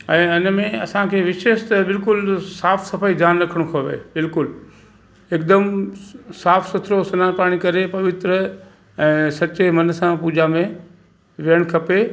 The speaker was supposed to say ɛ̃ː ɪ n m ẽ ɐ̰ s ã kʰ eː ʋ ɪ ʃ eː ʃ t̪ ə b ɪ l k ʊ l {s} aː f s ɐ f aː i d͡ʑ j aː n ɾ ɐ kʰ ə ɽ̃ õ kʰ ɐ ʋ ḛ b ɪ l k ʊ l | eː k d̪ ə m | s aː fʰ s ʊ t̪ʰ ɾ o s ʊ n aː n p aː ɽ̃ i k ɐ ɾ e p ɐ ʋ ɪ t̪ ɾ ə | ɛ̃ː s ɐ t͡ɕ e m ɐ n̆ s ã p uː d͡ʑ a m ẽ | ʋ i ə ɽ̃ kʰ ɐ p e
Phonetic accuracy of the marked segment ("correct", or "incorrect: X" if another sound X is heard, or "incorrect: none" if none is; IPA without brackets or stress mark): correct